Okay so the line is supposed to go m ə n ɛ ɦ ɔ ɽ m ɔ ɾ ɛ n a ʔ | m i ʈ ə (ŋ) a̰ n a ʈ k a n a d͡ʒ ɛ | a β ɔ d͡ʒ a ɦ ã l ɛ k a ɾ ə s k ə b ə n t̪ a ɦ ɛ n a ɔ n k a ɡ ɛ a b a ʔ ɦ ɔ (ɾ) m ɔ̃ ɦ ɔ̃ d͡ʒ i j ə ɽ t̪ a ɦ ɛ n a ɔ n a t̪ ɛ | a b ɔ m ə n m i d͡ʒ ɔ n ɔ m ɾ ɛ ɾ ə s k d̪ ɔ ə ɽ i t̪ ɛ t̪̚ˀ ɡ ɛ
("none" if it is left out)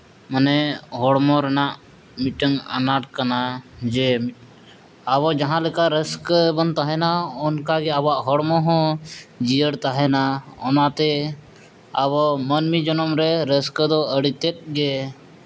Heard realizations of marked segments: ŋ, ɽ

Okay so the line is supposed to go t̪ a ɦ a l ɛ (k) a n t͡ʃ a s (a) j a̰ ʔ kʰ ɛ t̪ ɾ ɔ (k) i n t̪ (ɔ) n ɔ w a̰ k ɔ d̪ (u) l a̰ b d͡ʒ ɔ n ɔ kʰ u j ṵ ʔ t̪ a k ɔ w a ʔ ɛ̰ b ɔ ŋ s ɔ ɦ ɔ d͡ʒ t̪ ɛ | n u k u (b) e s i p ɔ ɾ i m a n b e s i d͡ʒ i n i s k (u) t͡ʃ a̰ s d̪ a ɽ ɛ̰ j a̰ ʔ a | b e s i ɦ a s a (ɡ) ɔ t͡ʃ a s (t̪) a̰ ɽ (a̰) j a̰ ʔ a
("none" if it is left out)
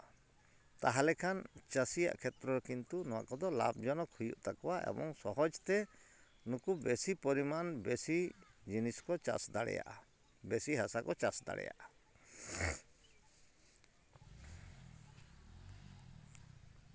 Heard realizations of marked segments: kʰ, i, k, u, ɔ, b, ɔ, k, d̪, ɛ̰

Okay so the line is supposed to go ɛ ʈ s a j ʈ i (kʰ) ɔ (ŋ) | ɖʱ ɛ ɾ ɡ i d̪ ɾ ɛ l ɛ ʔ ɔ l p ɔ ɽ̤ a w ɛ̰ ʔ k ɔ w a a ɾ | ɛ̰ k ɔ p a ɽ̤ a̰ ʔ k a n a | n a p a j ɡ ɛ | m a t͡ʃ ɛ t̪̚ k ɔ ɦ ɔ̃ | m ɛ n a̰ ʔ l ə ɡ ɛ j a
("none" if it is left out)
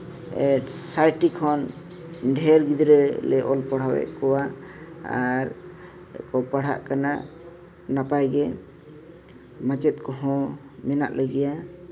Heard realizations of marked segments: kʰ, n

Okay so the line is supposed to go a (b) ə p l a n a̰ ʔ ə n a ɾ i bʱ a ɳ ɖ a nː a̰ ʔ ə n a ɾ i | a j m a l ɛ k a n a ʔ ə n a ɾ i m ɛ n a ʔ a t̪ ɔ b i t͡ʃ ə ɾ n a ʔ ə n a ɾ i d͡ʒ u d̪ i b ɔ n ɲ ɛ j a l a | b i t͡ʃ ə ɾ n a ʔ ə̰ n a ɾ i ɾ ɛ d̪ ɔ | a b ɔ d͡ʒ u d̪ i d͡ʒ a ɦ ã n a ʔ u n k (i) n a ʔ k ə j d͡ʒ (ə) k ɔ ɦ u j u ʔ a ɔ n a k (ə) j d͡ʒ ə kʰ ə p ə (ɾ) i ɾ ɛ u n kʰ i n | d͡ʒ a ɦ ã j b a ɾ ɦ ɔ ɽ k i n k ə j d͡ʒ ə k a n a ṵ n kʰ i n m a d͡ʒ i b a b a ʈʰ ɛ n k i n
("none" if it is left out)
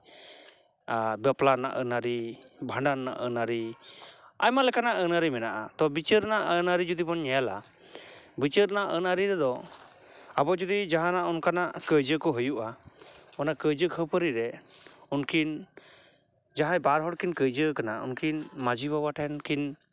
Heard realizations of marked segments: b, a, ə, ə, ɾ

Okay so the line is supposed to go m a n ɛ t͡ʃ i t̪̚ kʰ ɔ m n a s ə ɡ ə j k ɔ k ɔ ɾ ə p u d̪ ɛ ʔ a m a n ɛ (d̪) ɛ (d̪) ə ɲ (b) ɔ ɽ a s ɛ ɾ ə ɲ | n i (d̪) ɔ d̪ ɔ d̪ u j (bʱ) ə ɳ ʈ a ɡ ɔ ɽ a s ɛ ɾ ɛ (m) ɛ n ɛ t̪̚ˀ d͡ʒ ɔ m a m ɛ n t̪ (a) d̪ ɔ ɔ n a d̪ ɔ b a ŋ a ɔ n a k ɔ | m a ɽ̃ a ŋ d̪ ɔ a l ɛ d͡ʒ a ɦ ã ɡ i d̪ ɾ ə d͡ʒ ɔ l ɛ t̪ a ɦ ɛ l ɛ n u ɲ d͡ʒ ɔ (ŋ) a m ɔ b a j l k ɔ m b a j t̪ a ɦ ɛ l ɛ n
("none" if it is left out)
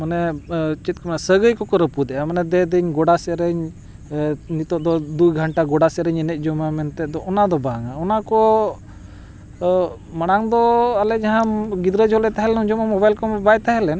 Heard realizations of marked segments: d̪, d̪, ɡ, t̪, ɡʱ, ɲ, ɛ, m

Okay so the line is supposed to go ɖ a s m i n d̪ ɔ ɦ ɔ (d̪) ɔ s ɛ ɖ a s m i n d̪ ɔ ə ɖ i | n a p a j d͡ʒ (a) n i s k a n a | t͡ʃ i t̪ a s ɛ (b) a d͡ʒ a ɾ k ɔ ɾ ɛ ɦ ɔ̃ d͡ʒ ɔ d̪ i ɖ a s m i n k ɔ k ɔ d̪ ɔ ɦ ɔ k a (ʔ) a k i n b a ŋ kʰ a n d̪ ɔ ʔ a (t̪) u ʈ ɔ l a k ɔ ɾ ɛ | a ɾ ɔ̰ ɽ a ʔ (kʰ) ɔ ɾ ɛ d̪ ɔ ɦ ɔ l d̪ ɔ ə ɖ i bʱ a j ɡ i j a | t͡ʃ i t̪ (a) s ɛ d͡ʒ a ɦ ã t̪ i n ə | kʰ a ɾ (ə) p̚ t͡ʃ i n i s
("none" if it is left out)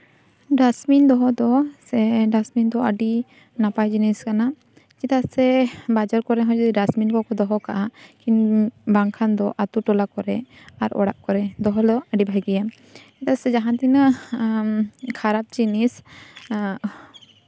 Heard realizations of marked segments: d̪, i, b, ʔ, t̪, k, a, a

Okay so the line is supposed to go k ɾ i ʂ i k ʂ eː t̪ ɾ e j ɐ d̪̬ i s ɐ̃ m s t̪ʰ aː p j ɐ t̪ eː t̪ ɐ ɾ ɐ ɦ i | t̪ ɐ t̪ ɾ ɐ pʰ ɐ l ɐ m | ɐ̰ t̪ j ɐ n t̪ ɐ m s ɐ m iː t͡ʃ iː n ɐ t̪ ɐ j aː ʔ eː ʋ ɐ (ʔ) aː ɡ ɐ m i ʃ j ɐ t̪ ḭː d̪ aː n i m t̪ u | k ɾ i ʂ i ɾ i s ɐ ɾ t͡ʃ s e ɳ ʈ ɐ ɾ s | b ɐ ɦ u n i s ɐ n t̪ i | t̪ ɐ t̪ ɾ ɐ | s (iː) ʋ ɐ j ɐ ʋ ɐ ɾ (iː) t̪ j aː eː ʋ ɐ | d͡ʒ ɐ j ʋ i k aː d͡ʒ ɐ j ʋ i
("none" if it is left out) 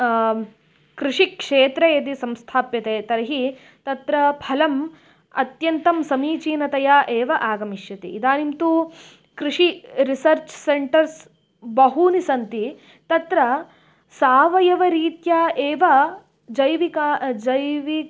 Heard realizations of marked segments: ʔ, aː, iː

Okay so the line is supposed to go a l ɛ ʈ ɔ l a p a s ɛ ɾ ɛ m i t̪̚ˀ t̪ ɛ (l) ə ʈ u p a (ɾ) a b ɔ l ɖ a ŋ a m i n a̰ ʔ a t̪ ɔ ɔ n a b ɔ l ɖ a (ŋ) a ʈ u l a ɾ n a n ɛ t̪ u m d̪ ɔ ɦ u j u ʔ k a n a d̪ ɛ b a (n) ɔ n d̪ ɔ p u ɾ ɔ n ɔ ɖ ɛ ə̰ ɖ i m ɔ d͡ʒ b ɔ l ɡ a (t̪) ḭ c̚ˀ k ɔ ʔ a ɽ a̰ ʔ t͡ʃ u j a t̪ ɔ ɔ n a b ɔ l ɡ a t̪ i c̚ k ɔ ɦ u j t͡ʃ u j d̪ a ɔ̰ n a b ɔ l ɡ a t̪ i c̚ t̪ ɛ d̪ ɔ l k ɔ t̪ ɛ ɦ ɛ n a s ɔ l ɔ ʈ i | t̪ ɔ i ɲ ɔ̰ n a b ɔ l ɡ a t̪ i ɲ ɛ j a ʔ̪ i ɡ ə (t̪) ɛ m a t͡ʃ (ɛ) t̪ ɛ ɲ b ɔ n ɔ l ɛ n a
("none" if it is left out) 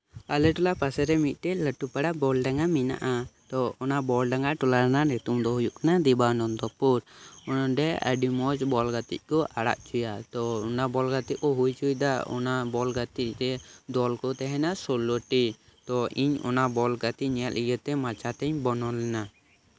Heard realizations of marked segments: l, ɽ, ŋ, n, t̪, t̪, a

